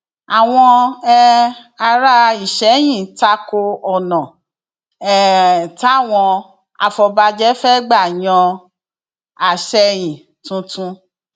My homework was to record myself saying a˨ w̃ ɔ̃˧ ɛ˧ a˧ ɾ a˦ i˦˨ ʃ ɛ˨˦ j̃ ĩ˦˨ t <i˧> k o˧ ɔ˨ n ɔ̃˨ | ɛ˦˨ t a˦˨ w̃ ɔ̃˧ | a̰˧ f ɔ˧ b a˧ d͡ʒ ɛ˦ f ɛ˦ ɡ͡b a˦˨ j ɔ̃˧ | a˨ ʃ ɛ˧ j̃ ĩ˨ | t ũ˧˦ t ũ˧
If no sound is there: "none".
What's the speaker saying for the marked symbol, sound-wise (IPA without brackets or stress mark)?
a˧